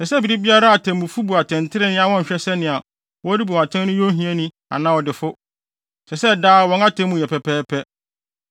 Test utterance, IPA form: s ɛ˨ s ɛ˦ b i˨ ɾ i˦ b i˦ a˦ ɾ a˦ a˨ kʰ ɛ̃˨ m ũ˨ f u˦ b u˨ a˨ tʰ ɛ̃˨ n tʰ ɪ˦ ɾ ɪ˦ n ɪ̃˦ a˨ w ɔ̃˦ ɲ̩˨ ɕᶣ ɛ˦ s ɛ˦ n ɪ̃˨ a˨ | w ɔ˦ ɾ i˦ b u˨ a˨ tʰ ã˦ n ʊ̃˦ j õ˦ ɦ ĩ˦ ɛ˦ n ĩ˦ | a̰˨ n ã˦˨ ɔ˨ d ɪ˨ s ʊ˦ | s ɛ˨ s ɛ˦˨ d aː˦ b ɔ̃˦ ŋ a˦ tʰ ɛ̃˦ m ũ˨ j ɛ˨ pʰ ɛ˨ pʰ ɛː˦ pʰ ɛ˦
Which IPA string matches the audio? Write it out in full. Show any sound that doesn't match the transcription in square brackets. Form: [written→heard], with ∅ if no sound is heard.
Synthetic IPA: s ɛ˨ s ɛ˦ b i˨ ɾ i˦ b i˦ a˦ ɾ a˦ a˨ [kʰ→tʰ] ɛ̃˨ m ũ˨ f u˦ b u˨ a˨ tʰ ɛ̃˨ n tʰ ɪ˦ ɾ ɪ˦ n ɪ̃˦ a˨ w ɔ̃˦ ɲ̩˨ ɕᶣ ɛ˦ s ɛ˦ n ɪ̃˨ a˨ | w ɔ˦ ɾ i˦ b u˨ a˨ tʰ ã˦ n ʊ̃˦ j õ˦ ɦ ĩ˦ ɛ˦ n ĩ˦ | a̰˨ n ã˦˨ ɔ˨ d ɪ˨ [s→f] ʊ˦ | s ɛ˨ s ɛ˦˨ d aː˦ [b→w] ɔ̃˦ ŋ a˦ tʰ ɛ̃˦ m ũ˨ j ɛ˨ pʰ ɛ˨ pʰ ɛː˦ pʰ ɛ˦